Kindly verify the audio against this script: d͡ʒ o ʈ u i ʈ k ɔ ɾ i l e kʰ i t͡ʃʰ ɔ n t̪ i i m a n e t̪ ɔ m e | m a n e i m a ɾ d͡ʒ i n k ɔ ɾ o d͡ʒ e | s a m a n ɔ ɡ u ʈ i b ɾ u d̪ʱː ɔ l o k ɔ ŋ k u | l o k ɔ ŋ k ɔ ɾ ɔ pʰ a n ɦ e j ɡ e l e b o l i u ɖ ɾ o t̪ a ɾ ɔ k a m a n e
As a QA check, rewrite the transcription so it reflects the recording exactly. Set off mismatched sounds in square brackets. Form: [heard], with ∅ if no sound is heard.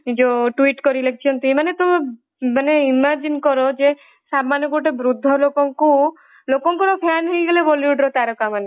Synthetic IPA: d͡ʒ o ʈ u i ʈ k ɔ ɾ i l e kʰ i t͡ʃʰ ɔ n t̪ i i m a n e t̪ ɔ m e | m a n e i m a ɾ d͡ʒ i n k ɔ ɾ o d͡ʒ e | s a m a n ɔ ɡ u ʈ [e] b ɾ u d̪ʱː ɔ l o k ɔ ŋ k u | l o k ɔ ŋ k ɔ ɾ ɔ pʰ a n ɦ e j ɡ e l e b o l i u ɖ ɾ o t̪ a ɾ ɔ k a m a n e